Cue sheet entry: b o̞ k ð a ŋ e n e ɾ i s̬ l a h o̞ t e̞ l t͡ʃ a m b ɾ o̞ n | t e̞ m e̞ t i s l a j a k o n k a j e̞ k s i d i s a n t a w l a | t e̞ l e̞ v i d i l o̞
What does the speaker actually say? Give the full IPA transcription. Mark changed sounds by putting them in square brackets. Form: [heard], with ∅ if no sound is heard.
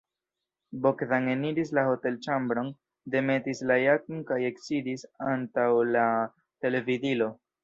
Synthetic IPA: b o̞ k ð a ŋ e n [i] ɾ i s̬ l a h o̞ t e̞ l t͡ʃ a m b ɾ o̞ n | [d] e̞ m e̞ t i s l a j a k o n k a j e̞ k s i d i s a n t a w l a | t e̞ l e̞ v i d i l o̞